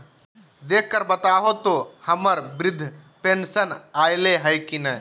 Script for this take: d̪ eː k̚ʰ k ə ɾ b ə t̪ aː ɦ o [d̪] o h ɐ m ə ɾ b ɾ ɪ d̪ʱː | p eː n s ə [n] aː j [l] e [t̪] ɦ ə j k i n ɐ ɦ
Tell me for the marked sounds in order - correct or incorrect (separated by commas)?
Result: incorrect, correct, correct, incorrect